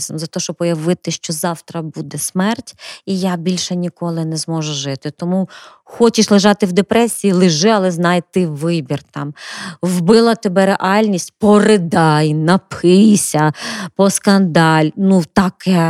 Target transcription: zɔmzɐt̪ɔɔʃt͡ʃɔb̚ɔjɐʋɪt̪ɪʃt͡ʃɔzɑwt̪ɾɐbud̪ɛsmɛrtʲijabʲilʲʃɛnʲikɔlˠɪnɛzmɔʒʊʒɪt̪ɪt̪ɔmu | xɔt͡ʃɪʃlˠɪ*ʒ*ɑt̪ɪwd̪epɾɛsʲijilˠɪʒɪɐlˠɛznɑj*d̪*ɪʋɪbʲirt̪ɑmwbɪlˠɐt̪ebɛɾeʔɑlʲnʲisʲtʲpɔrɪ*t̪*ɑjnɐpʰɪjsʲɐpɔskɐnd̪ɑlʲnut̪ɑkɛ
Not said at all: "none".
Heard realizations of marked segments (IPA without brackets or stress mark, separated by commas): ʒ, t̪, d̪